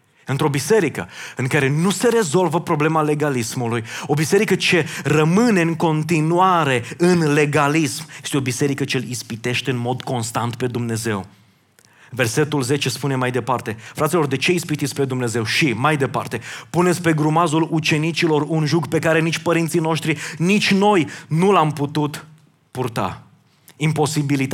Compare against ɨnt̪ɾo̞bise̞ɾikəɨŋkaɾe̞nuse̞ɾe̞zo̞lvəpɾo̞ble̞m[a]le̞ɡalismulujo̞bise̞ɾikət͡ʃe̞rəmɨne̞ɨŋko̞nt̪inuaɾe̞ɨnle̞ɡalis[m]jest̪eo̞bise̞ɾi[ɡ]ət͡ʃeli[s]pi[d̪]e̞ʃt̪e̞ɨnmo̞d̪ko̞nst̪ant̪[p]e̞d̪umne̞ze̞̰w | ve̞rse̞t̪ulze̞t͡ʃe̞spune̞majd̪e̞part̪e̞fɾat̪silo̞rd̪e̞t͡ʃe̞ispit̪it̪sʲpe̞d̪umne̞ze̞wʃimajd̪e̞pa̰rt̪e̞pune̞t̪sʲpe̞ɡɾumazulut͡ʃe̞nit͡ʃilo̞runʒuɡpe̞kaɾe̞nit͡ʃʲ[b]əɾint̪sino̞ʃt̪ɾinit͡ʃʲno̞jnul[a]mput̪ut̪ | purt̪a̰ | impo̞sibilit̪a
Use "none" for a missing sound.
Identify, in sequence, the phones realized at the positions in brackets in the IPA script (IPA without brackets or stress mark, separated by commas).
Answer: a, m, k, s, t̪, p, p, a